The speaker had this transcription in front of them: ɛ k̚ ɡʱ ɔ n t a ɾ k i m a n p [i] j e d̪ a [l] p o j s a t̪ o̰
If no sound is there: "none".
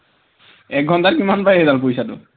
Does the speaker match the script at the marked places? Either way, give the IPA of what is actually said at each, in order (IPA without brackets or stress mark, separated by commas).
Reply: a, l